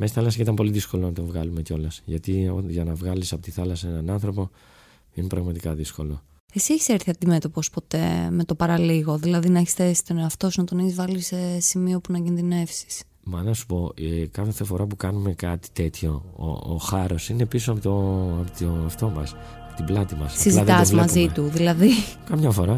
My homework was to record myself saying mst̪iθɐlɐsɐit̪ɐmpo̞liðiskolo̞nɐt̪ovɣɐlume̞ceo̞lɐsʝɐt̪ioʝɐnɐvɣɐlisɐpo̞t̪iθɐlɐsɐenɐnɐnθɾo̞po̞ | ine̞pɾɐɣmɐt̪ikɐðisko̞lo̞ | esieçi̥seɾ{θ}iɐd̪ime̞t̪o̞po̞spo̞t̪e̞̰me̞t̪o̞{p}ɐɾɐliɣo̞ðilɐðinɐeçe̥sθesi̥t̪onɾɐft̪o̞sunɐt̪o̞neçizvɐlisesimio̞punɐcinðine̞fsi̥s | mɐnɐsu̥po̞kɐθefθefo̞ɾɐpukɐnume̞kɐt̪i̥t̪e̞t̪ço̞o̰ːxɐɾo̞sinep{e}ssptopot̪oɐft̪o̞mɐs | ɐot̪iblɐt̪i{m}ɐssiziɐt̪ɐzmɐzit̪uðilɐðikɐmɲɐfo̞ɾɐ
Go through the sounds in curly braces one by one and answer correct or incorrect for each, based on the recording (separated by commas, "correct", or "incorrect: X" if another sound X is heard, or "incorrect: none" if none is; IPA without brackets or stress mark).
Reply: correct, correct, incorrect: i, correct